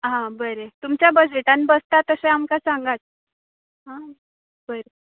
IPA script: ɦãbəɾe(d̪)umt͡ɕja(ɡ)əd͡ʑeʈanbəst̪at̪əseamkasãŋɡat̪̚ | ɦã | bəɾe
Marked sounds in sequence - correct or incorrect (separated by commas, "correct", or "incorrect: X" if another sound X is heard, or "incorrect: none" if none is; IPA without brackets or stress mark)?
incorrect: t̪, incorrect: b